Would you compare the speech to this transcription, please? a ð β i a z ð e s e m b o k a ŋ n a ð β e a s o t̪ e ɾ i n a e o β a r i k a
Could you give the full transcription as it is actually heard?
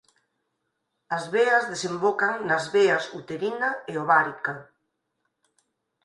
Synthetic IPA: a z β e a z ð e s e m b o k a ŋ n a z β e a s u t̪ e ɾ i n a e o β a ɾ i k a